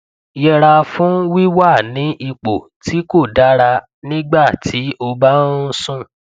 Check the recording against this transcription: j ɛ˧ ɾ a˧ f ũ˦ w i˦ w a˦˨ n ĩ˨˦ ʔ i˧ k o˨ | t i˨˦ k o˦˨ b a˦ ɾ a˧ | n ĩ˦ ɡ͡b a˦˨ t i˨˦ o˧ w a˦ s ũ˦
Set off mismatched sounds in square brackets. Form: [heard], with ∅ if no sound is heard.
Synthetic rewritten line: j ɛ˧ ɾ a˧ f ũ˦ w i˦ w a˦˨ n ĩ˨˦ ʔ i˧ [k͡p] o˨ | t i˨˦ k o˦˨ [d] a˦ ɾ a˧ | n ĩ˦ ɡ͡b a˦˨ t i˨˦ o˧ [b] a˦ s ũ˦

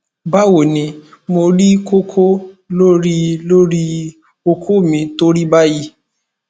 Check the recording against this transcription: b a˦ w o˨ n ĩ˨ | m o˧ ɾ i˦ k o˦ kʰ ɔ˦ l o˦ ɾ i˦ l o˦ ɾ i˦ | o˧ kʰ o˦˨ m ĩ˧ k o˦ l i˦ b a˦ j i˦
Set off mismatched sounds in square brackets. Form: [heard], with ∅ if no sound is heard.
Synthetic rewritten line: b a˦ w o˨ n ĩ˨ | m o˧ ɾ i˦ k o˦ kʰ [o˦] l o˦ ɾ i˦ l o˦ ɾ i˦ | o˧ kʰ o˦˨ m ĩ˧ [t] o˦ [ɾ] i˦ b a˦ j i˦

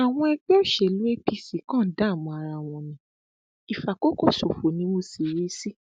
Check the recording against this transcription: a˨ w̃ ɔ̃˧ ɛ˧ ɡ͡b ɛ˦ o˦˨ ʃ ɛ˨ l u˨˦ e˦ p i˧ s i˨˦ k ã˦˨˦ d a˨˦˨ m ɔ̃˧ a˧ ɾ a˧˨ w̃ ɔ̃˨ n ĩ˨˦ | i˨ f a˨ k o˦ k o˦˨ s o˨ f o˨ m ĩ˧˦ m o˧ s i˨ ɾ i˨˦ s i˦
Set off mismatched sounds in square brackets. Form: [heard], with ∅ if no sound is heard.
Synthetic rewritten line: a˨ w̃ ɔ̃˧ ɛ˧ ɡ͡b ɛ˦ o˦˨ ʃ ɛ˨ l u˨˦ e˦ p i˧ s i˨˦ k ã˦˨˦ d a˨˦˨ m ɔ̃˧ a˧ ɾ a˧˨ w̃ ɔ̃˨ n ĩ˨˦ | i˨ f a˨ k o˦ k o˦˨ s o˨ f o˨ [n] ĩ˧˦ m o˧ s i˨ ɾ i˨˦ s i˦

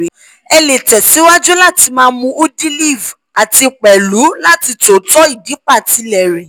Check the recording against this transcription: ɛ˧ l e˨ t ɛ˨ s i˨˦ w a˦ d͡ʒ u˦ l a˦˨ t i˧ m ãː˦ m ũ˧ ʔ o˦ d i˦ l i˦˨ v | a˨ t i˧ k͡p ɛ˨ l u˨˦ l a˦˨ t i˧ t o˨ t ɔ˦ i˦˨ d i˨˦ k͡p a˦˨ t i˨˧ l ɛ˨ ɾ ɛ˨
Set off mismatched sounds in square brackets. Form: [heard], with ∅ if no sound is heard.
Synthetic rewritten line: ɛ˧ l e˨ t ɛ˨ s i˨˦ w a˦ d͡ʒ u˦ l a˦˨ t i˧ m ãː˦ m ũ˧ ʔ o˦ d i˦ l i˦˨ v | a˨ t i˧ k͡p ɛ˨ l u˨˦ l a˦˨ t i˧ t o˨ t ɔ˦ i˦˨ d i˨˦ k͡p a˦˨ t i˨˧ l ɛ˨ ɾ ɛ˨

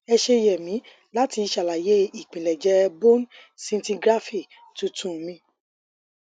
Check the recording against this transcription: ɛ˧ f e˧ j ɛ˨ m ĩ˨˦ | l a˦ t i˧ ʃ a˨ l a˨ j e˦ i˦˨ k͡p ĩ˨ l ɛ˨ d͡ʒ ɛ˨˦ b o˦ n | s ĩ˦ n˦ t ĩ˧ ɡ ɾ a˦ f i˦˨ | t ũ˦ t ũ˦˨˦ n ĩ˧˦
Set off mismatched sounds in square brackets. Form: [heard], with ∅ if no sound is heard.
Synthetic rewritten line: ɛ˧ [ʃ] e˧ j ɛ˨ m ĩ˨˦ | l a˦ t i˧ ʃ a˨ l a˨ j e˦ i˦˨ k͡p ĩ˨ l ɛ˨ d͡ʒ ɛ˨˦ b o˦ n | s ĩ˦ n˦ t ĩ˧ ɡ ɾ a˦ f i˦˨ | t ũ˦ t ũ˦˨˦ [m] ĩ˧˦

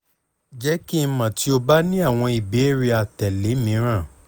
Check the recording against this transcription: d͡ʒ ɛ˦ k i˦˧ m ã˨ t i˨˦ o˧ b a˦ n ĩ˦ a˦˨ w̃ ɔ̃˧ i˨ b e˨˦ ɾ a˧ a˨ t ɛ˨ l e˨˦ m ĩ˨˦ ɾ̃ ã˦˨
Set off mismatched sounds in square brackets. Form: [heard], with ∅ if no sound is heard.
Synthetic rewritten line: d͡ʒ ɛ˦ k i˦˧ m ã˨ t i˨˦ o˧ b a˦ n ĩ˦ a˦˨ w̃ ɔ̃˧ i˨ b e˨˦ ɾ [i˧] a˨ t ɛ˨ l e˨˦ m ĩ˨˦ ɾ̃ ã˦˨

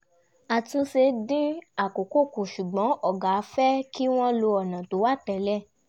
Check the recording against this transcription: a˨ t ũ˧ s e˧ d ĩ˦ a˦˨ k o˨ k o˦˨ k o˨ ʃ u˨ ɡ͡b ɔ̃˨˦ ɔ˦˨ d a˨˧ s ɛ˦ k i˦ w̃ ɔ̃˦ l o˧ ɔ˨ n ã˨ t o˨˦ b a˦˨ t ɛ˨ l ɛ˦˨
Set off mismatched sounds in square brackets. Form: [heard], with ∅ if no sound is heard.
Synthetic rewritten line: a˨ t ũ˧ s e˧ d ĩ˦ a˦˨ k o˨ k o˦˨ k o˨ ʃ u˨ ɡ͡b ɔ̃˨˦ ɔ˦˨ [ɡ] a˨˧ [f] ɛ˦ k i˦ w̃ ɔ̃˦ l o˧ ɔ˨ n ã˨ t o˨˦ [w] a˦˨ t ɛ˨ l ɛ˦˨

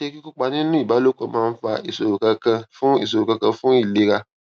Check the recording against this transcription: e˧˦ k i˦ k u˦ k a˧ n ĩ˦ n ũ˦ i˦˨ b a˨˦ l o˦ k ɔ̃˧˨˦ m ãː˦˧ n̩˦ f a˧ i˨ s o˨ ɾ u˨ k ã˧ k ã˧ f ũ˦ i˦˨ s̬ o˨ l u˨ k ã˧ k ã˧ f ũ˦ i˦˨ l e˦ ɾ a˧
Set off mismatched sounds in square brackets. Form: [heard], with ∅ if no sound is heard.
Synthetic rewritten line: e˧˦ k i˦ k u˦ [k͡p] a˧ n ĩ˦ n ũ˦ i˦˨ b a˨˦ l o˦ k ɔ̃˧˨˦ m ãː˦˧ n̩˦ f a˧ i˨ s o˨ ɾ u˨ k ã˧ k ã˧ f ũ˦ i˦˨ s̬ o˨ [ɾ] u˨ k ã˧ k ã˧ f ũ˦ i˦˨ l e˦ ɾ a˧

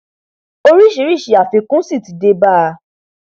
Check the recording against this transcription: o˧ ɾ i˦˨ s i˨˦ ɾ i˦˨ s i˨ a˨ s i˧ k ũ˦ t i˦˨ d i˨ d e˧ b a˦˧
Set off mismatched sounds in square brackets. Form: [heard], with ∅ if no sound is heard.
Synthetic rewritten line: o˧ ɾ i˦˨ [ʃ] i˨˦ ɾ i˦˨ [ʃ] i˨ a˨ [f] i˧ k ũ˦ [s] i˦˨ [t] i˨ d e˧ b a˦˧

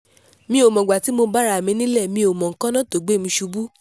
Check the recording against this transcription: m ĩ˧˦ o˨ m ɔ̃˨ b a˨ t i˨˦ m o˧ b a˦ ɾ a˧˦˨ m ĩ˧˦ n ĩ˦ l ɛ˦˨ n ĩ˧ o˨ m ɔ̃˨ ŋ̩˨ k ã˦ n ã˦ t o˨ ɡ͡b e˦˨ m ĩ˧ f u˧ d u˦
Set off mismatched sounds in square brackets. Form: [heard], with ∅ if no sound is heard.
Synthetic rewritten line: m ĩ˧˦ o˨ m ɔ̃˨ [ɡ͡b] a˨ t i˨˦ m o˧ b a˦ ɾ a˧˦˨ m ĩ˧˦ n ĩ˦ l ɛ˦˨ [m] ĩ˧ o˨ m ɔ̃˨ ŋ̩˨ k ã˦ n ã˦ t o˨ ɡ͡b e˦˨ m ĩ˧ [ʃ] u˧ [b] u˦

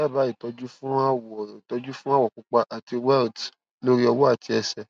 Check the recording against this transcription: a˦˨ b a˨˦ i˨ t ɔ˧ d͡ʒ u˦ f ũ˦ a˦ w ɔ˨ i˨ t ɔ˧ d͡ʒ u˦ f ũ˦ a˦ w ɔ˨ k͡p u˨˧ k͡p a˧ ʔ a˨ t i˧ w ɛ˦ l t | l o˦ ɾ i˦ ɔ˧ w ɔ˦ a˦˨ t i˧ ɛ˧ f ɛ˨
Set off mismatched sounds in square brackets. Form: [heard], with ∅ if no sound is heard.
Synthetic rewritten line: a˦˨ b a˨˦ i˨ t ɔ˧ d͡ʒ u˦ f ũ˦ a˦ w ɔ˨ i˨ t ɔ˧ d͡ʒ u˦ f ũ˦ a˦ w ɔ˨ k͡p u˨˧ k͡p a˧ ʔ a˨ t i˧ w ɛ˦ l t | l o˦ ɾ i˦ ɔ˧ w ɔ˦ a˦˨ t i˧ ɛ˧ [s] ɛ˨

